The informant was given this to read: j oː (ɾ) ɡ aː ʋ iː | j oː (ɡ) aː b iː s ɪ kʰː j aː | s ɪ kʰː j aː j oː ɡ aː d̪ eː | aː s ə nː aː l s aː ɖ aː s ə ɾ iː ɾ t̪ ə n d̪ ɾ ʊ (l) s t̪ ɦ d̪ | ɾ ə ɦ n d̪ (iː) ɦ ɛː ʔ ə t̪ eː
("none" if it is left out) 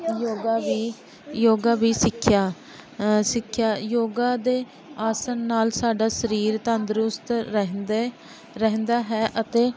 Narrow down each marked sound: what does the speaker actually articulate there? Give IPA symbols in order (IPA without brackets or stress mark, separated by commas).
none, ɡ, none, aː